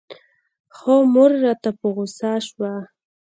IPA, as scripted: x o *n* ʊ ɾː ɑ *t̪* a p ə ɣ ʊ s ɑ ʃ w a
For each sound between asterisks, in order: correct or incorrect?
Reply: incorrect, correct

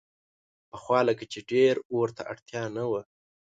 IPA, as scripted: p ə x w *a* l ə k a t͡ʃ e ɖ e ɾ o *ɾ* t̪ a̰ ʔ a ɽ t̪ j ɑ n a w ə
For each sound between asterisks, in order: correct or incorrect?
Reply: incorrect, correct

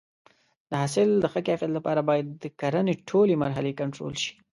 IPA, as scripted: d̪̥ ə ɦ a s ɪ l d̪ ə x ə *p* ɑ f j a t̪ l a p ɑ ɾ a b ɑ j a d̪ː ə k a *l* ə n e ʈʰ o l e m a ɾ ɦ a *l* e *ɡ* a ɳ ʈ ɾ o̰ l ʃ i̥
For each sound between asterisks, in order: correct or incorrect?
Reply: incorrect, incorrect, correct, incorrect

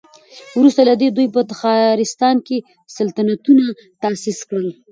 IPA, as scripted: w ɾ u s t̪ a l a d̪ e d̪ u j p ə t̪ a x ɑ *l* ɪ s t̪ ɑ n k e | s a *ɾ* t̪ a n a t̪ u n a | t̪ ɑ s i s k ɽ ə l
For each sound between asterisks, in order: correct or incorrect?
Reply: incorrect, incorrect

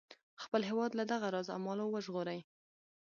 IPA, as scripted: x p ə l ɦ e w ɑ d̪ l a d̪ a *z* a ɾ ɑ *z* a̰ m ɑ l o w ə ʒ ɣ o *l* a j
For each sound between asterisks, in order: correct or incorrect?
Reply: incorrect, correct, incorrect

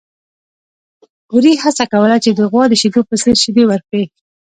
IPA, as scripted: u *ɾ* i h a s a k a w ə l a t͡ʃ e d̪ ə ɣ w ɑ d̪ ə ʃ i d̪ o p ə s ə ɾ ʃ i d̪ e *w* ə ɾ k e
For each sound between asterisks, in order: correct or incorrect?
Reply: correct, correct

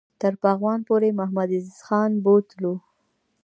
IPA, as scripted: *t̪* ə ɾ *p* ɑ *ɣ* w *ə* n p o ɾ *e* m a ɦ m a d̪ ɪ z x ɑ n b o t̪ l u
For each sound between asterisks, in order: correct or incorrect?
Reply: correct, correct, correct, incorrect, correct

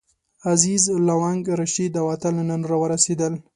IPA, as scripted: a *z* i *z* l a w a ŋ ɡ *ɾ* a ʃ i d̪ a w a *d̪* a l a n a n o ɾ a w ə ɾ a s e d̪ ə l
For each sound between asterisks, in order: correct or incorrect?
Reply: correct, correct, correct, incorrect

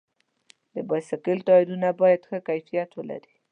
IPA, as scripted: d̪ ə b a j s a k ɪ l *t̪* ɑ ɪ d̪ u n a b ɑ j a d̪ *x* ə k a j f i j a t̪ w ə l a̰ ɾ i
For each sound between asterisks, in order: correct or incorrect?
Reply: correct, correct

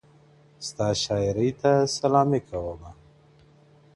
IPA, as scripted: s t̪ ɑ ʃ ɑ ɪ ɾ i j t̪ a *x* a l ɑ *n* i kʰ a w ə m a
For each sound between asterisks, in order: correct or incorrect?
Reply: incorrect, incorrect

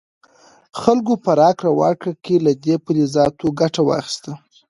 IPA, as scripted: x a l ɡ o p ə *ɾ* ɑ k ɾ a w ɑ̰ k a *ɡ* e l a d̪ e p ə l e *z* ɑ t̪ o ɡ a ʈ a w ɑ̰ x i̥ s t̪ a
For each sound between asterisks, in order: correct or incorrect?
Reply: correct, incorrect, correct

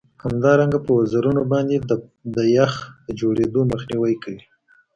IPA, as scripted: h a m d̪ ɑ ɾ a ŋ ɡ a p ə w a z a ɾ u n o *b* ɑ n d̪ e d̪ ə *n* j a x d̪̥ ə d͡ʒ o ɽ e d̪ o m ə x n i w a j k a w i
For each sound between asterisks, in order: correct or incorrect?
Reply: correct, incorrect

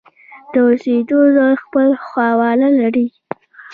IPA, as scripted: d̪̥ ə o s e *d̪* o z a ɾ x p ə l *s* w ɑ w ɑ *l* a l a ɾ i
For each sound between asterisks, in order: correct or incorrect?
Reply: correct, incorrect, correct

